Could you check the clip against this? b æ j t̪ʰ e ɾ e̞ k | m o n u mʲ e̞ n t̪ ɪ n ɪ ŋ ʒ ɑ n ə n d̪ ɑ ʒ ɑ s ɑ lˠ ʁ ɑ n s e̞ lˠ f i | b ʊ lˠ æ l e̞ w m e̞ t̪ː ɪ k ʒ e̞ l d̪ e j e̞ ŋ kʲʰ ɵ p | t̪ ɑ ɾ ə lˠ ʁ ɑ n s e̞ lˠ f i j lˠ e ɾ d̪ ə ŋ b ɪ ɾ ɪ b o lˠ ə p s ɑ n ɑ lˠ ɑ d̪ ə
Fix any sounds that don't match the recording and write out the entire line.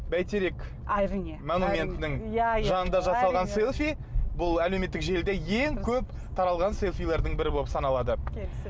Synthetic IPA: b æ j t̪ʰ e ɾ e̞ k | m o n u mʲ e̞ n t̪ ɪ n ɪ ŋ ʒ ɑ n ə n d̪ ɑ ʒ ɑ s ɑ lˠ ʁ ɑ n s e̞ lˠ f i | b ʊ lˠ æ l e̞ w m e̞ t̪ː ɪ k ʒ e̞ l d̪ e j e̞ ŋ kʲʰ ɵ p | t̪ʰ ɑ ɾ ɑ lˠ ʁ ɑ n s e̞ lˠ f i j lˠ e ɾ d̪ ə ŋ b ɪ ɾ ɪ b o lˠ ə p s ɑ n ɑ lˠ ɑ d̪ ə